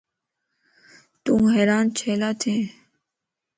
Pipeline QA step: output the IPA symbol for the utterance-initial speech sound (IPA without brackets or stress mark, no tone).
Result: t̪